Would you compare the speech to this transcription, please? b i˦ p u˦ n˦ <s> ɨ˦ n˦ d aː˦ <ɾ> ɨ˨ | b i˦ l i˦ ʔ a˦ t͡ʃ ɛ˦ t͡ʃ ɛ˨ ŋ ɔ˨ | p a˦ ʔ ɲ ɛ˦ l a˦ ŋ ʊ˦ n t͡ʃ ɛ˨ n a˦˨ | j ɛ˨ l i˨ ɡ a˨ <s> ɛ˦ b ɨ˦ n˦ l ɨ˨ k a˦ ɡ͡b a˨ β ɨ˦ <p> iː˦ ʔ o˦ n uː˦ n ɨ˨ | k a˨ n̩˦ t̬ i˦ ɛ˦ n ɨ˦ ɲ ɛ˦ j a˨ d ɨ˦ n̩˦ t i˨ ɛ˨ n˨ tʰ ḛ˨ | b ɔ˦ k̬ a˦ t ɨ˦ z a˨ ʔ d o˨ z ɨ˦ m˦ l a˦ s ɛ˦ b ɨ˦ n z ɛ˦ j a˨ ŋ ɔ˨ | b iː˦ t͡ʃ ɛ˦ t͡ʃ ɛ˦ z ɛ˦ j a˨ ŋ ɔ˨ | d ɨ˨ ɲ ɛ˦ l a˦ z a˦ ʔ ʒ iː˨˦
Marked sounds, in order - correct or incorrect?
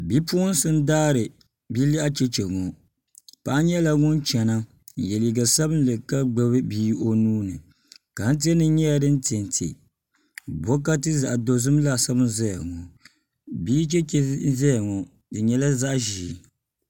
correct, correct, correct, incorrect: b

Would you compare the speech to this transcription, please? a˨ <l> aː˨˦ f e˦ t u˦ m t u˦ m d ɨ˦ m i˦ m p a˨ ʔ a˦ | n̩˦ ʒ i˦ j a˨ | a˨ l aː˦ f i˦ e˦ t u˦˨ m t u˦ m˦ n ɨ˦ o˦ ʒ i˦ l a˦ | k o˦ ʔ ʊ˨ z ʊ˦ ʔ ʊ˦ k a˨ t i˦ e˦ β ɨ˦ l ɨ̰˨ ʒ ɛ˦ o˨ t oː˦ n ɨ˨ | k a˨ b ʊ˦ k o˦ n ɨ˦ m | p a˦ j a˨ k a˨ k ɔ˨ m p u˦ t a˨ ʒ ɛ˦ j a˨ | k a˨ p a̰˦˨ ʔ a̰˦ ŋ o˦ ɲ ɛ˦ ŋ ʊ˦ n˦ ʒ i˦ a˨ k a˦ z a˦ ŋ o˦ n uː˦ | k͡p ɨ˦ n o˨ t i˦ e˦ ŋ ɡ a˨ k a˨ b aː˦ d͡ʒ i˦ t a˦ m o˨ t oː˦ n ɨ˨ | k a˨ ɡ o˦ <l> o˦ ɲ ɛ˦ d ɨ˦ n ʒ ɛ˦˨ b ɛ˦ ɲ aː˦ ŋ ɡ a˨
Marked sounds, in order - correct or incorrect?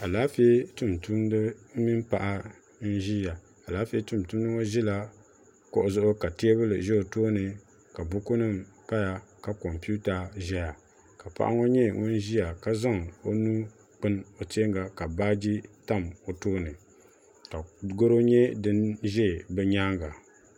correct, incorrect: ɾ

